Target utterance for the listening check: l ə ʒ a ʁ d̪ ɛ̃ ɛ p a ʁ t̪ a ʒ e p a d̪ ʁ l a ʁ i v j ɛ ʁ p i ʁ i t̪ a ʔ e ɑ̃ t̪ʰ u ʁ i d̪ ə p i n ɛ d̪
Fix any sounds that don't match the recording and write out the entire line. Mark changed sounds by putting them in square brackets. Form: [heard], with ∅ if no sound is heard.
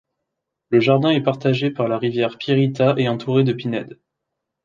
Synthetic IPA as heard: l ə ʒ a ʁ d̪ ɛ̃ ɛ p a ʁ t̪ a ʒ e p a [∅] ʁ l a ʁ i v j ɛ ʁ p i ʁ i t̪ a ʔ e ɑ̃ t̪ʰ u ʁ [e] d̪ ə p i n ɛ d̪